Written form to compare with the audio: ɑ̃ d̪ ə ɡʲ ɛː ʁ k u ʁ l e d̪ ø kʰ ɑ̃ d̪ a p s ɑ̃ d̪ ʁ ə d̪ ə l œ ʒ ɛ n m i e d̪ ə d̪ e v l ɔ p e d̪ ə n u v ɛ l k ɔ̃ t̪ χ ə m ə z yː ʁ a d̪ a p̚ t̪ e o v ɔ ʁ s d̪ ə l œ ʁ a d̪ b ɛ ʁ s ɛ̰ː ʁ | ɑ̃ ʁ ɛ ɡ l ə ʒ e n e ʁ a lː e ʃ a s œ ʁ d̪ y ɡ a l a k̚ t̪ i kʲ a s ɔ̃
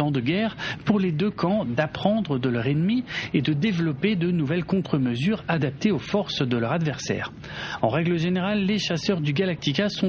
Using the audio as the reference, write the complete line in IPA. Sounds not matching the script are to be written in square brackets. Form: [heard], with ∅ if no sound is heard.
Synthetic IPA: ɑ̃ d̪ ə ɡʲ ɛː ʁ [p] u ʁ l e d̪ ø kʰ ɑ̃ d̪ a p [χ] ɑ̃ d̪ ʁ ə d̪ ə l œ [ʁ] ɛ n m i e d̪ ə d̪ e v l ɔ p e d̪ ə n u v ɛ l k ɔ̃ t̪ χ ə m ə z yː ʁ a d̪ a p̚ t̪ e o [f] ɔ ʁ s d̪ ə l œ ʁ a d̪ [v] ɛ ʁ s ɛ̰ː ʁ | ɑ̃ ʁ ɛ ɡ l ə ʒ e n e ʁ a lː e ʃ a s œ ʁ d̪ y ɡ a l a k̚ t̪ i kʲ a s ɔ̃